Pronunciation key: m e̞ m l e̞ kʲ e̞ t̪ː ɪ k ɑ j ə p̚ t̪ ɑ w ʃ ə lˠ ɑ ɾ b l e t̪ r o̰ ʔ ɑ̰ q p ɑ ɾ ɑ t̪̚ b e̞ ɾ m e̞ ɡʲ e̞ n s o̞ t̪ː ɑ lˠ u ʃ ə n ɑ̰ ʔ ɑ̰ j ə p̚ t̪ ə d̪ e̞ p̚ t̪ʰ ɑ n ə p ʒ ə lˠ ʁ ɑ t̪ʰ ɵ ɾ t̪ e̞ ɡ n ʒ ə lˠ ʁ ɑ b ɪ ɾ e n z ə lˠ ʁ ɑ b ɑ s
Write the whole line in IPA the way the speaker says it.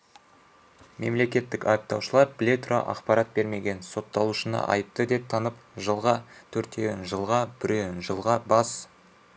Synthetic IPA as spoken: m e̞ m l e̞ kʲ e̞ t̪ː ɪ k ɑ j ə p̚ t̪ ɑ w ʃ ə lˠ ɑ ɾ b l e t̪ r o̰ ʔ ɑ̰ q p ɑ ɾ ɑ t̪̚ b e̞ ɾ m e̞ ɡʲ e̞ n s o̞ t̪ː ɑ lˠ u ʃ ə n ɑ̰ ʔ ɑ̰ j ə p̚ t̪ ə d̪ e̞ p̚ t̪ʰ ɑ n ə p ʒ ə lˠ ʁ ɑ t̪ʰ ɵ ɾ t̪ e̞ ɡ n ʒ ə lˠ ʁ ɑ b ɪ ɾ e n ʒ ə lˠ ʁ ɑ b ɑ s